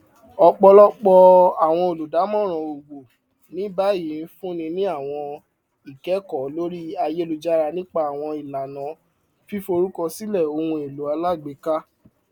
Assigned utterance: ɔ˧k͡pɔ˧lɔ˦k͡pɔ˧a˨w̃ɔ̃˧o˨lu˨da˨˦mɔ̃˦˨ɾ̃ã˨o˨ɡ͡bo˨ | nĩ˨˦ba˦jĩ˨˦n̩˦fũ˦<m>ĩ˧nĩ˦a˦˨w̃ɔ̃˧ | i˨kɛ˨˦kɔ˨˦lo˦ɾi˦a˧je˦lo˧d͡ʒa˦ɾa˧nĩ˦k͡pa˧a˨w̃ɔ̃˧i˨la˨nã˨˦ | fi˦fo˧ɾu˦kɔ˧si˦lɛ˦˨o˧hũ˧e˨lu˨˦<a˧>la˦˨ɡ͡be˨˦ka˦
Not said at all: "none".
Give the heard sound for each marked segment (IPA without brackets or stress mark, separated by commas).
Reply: n, a˧